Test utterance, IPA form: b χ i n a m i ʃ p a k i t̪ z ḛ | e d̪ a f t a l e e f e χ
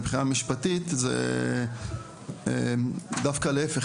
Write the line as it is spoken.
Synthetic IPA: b χ i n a m i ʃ p a t i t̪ z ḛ | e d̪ a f k a l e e f e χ